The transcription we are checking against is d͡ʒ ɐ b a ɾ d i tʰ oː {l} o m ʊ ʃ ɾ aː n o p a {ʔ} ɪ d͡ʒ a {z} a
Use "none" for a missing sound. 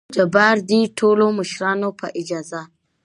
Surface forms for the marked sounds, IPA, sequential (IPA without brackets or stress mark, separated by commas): l, ʔ, z